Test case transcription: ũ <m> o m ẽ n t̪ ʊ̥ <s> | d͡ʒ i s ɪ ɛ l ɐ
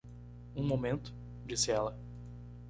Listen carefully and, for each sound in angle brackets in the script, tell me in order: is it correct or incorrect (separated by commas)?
correct, incorrect